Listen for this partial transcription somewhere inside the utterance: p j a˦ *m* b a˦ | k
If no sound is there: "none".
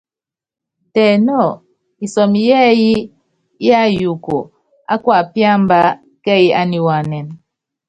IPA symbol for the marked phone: m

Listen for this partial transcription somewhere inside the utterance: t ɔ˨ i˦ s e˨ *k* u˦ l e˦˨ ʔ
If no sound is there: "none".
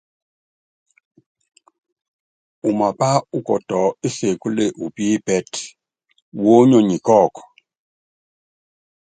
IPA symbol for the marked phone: k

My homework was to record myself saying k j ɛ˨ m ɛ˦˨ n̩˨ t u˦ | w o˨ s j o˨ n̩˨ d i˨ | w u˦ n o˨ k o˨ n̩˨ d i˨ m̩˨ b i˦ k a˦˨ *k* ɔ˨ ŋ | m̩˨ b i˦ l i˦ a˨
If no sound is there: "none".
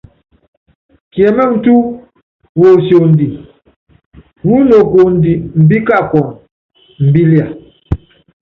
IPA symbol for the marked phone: k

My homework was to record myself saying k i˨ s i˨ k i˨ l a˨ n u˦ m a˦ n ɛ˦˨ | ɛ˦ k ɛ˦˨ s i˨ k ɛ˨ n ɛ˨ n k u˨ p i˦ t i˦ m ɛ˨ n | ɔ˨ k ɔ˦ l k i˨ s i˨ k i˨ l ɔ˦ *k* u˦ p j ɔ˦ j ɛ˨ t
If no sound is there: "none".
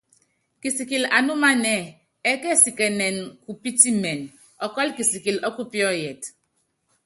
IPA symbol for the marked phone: k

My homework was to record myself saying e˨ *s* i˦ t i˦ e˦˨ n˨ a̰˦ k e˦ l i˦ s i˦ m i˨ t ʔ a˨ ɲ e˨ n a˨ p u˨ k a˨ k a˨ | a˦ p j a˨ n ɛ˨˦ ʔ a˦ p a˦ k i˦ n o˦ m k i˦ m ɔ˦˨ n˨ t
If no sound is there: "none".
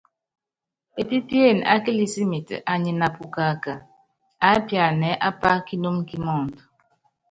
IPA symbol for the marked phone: t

